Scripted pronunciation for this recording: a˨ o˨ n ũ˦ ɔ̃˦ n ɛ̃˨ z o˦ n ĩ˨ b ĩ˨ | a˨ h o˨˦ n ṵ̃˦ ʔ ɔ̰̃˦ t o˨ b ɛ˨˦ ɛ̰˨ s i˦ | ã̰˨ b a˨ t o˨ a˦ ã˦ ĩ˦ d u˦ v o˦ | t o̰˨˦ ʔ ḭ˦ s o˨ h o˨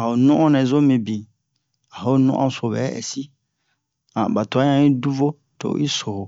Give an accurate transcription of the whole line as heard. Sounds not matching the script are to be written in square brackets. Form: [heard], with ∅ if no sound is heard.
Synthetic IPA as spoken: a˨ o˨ n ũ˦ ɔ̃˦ n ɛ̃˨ z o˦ [m] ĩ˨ b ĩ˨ | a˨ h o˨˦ n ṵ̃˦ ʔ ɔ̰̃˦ [s] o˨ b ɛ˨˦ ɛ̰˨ s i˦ | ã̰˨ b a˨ t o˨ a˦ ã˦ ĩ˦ d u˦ v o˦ | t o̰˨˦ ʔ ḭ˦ s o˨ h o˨